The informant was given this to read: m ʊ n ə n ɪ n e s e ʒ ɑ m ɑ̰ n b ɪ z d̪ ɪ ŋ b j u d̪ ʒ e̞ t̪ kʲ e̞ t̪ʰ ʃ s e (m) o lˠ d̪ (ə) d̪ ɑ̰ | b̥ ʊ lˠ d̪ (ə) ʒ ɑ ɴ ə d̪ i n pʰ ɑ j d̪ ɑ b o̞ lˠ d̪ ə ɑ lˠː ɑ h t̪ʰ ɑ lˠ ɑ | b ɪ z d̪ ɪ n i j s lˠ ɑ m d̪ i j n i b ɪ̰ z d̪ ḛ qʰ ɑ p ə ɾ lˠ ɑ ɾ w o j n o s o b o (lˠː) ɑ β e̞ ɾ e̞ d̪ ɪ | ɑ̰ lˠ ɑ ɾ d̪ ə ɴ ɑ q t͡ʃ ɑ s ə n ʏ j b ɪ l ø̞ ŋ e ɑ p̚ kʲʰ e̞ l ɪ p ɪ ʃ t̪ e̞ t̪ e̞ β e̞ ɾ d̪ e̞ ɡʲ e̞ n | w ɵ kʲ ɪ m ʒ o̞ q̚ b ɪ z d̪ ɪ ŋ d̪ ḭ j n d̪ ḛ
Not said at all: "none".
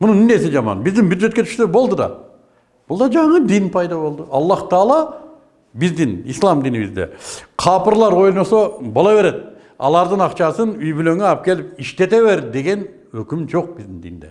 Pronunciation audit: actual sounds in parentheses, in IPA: b, ə, ɑ, lˠ

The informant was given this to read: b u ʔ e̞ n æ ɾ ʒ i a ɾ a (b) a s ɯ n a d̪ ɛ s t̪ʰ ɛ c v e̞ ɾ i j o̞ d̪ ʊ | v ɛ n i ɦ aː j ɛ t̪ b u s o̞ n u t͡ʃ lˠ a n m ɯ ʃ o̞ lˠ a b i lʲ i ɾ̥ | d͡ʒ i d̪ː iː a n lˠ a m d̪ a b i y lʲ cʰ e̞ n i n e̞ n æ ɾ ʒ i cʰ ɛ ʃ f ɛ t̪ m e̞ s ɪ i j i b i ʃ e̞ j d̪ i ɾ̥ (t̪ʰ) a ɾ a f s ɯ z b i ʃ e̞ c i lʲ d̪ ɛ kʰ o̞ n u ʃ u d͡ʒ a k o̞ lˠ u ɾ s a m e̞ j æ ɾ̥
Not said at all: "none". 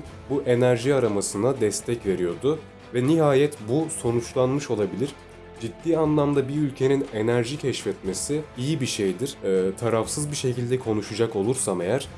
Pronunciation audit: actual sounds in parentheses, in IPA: m, t̪ʰ

